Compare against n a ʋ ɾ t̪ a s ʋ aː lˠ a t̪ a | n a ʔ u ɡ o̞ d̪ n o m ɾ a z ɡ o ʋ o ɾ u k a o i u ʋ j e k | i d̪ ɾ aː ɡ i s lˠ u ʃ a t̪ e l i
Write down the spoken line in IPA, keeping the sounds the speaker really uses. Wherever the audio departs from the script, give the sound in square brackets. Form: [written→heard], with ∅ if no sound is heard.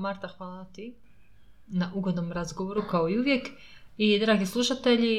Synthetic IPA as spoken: [n→m] a [ʋ→∅] ɾ t̪ a [s→x] ʋ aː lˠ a t̪ [a→i] | n a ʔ u ɡ o̞ d̪ n o m ɾ a z ɡ o ʋ o ɾ u k a o i u ʋ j e k | i d̪ ɾ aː ɡ i s lˠ u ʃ a t̪ e [l→ʎ] i